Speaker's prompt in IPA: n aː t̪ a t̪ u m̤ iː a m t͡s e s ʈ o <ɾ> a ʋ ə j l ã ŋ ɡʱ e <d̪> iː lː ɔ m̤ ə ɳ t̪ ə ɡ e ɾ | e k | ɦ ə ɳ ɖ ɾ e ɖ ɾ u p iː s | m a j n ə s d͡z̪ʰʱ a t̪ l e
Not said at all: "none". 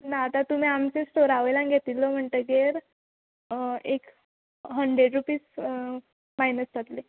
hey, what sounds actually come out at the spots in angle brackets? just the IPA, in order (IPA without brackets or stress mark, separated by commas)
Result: ɾ, t̪